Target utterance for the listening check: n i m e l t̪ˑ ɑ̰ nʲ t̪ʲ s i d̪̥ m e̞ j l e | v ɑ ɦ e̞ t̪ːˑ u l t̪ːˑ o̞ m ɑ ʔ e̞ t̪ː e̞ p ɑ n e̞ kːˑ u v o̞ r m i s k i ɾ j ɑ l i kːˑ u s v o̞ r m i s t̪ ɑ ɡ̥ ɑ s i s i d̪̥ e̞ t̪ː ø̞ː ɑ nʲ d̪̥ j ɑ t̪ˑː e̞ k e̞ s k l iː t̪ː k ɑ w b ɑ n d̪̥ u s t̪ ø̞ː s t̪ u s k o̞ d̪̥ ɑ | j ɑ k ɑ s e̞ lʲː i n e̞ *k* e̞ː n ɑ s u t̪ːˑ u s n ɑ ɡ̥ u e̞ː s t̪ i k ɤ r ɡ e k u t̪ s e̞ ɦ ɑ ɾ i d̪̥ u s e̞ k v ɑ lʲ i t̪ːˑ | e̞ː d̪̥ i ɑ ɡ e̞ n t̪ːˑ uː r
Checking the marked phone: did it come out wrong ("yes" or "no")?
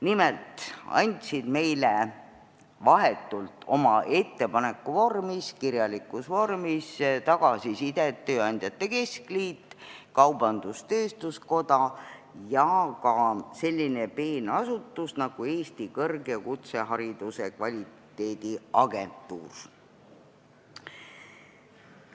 yes